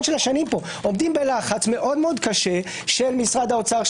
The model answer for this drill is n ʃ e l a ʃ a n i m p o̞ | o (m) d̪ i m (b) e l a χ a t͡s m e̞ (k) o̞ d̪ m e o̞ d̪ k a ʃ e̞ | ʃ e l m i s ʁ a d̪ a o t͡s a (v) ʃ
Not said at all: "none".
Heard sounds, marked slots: m, b, ʔ, ʁ

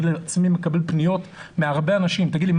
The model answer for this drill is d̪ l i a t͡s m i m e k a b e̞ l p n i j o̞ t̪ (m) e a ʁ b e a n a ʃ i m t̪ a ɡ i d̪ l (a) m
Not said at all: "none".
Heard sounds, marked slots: m, i

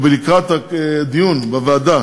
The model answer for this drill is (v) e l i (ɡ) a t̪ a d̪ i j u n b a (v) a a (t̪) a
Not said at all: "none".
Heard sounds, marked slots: b, k, v, d̪

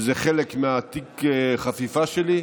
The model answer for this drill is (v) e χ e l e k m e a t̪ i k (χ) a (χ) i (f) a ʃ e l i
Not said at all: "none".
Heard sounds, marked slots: z, χ, f, f

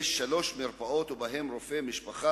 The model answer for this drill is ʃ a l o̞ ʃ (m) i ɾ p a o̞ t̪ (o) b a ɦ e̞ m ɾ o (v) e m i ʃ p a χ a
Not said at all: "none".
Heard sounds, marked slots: m, u, f

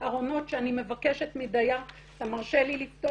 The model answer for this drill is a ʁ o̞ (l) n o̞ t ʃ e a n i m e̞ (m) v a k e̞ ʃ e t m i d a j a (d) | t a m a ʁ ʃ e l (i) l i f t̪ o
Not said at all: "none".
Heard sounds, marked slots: none, none, none, i

